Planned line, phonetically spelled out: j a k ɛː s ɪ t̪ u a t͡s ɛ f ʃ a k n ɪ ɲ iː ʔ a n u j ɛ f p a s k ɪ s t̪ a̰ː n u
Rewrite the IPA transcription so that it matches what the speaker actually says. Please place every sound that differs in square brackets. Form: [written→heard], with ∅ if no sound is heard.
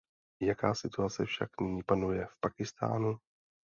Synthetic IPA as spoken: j a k [ɛː→aː] s ɪ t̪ u a t͡s ɛ f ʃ a k n ɪ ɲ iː [ʔ→p] a n u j ɛ f p a [s→∅] k ɪ s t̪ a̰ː n u